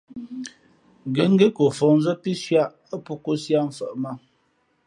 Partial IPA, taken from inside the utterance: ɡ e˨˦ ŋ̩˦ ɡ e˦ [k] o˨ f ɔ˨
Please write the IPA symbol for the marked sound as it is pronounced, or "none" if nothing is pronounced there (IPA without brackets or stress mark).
k